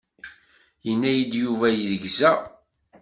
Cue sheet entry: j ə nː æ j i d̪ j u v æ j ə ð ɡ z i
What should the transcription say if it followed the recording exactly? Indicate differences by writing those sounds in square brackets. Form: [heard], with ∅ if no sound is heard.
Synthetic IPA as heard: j ə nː æ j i d̪ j u v æ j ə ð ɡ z [æ]